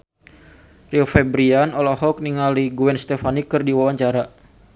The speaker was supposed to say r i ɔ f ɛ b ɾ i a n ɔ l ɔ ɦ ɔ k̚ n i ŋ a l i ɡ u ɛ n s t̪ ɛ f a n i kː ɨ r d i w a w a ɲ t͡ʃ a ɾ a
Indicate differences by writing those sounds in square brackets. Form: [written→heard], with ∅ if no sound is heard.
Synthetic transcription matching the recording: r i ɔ f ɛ b ɾ i a n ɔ l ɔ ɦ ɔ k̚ n i ŋ a l i ɡ u ɛ n s t̪ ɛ f a n i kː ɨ r d i w a w a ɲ t͡ʃ a ɾ a